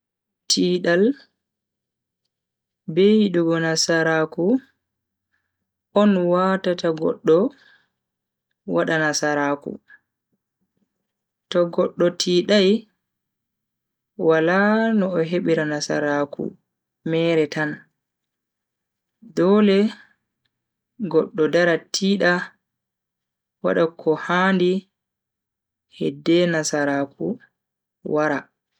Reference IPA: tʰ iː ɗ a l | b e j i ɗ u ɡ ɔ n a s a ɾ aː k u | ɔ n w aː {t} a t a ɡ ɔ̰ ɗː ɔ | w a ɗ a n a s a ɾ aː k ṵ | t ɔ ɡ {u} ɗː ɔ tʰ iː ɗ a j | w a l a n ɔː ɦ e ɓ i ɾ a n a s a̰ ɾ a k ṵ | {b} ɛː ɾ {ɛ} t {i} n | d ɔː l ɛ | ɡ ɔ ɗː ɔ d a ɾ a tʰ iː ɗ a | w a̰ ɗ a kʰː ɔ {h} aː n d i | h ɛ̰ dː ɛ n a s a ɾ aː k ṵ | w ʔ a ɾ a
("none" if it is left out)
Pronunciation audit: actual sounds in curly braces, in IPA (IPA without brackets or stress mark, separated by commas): t, ɔ, m, ɛ, a, h